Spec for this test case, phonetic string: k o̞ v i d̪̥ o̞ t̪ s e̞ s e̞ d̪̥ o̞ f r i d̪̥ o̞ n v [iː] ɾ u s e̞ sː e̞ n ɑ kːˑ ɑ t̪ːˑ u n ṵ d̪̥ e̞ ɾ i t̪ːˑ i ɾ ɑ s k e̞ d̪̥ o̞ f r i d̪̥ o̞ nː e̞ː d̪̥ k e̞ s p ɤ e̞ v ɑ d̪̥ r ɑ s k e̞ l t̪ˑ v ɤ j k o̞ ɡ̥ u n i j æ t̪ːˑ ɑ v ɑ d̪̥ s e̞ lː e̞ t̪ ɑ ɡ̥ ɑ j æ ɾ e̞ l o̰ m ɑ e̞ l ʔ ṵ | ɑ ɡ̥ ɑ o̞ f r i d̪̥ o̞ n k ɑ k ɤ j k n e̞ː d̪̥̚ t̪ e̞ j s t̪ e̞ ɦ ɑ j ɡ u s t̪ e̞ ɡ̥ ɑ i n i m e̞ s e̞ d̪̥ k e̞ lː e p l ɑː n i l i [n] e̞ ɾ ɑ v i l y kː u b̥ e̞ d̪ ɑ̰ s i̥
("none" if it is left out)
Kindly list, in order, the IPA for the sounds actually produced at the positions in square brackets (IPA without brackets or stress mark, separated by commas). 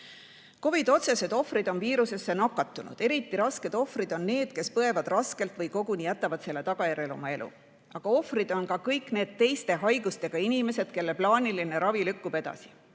iː, n